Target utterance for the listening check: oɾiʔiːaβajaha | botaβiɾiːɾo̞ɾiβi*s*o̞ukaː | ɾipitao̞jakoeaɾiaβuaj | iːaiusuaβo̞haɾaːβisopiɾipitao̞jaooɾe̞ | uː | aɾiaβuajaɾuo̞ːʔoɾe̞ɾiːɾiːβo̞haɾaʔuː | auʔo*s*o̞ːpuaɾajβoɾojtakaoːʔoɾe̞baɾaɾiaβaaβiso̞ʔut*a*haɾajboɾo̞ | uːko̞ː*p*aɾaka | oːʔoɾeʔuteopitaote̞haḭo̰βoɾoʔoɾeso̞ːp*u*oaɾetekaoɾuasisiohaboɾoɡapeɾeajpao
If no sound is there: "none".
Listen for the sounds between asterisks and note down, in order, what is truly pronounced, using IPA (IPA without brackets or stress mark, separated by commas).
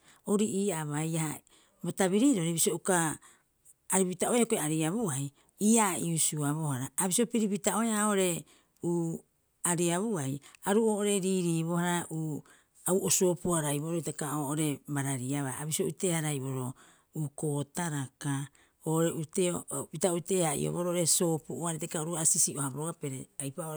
s, s, e, t, u